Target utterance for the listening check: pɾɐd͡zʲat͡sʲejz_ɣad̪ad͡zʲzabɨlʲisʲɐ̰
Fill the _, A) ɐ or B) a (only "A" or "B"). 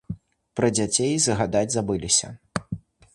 A